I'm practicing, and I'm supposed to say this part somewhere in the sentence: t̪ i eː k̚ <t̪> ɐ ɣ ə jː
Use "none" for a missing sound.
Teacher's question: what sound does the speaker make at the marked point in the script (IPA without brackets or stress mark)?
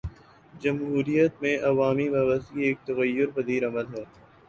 t̪